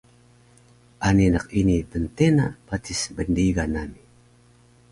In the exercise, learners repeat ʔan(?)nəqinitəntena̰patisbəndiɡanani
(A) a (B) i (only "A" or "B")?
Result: B